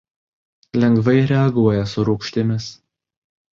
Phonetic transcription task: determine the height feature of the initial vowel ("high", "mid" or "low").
mid